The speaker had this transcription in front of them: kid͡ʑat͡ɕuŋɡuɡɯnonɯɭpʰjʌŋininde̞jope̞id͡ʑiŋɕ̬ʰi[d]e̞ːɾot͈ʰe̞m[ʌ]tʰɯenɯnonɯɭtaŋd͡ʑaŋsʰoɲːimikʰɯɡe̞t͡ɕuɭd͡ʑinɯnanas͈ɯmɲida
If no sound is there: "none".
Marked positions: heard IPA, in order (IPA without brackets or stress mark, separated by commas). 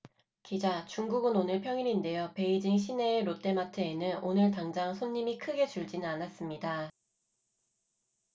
n, a